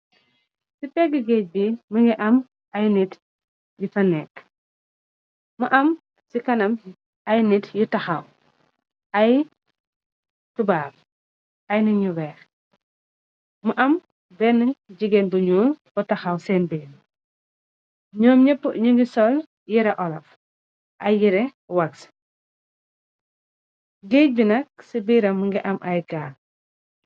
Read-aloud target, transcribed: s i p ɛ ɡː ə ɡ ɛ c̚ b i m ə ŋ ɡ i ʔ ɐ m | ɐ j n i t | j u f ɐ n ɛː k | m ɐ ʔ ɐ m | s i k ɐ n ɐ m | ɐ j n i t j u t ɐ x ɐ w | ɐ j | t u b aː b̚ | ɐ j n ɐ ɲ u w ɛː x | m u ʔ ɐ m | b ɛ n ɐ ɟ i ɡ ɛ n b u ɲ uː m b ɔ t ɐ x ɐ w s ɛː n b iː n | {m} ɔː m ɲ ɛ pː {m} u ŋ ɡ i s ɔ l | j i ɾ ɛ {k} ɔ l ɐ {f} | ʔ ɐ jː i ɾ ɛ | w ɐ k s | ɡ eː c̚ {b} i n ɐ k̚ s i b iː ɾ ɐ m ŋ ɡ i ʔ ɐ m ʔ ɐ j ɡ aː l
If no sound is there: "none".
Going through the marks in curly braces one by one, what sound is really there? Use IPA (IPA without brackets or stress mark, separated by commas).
ɲ, ɲ, ʔ, f, b